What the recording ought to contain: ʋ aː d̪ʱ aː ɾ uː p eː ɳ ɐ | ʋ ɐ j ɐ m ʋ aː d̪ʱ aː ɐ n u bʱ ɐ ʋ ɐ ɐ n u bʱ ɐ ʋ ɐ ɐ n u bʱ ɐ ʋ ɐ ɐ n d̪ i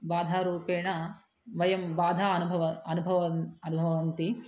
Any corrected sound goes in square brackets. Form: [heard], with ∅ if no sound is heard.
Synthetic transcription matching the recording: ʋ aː d̪ʱ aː ɾ uː p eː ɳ ɐ | ʋ ɐ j ɐ m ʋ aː d̪ʱ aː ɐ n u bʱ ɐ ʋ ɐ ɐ n u bʱ ɐ ʋ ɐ ɐ n u bʱ ɐ ʋ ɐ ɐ n [t̪] i